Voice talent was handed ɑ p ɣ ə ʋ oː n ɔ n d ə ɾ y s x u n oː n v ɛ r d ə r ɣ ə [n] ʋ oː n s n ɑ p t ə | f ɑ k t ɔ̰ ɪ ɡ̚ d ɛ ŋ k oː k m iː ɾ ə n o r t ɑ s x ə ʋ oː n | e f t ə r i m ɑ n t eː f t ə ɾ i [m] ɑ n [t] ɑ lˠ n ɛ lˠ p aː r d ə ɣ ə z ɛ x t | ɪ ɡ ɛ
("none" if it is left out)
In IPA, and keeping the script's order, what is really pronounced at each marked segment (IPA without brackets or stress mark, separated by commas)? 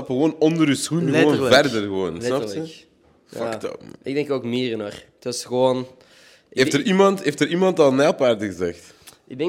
none, m, t